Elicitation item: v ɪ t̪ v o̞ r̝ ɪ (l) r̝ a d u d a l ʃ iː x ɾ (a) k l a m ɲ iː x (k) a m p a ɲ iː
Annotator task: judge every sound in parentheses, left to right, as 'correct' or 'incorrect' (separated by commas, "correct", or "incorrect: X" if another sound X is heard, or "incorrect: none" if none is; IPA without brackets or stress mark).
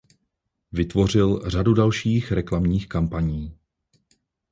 correct, incorrect: ɛ, correct